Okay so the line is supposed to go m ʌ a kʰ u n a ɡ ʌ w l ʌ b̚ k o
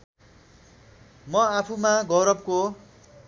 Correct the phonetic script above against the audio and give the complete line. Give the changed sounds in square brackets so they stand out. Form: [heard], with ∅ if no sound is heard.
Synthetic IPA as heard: m ʌ a [pʰ] u [m] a ɡ ʌ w [ɾ] ʌ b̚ k o